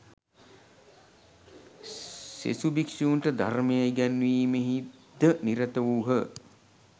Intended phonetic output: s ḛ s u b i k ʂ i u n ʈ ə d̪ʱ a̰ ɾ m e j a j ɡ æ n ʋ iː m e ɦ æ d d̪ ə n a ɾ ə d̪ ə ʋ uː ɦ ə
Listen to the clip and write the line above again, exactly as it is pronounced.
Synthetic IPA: s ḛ s u b i k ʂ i u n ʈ ə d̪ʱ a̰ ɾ m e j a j ɡ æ n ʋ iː m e ɦ i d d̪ ə n i ɾ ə t̪ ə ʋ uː ɦ ə